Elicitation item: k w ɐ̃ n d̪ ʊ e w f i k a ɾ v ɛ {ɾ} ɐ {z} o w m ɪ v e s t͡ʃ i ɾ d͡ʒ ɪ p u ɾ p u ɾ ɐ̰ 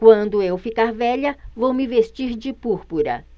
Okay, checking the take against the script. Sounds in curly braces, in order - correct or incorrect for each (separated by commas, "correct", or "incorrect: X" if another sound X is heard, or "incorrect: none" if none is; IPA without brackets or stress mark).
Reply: incorrect: ʎ, incorrect: v